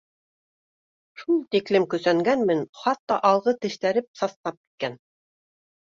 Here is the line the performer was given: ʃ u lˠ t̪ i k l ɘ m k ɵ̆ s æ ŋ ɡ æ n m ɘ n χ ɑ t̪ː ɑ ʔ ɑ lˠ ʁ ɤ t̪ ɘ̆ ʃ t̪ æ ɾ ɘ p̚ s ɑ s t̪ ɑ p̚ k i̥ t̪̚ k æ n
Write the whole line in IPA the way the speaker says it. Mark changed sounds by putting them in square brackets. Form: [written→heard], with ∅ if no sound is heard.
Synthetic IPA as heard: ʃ u lˠ t̪ i k l ɘ m k ɵ̆ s æ ŋ ɡ æ n m ɘ n χ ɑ t̪ː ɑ ʔ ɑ lˠ ʁ ɤ t̪ ɘ̆ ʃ t̪ æ ɾ ɘ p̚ s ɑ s t̪ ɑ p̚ k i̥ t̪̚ k æ n